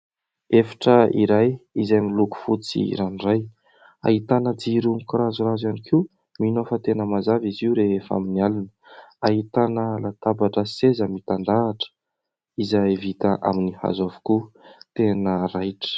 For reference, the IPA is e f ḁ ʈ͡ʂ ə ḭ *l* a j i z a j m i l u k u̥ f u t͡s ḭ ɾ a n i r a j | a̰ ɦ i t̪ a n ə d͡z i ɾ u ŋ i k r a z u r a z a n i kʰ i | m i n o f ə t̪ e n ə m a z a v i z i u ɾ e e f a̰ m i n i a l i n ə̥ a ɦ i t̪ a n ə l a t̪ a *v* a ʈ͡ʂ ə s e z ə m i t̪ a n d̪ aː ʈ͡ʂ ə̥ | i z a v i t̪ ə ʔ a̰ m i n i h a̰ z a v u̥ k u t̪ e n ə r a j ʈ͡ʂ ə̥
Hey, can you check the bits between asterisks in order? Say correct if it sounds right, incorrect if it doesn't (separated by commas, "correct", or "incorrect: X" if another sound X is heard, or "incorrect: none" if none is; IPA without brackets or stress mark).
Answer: incorrect: ɾ, incorrect: b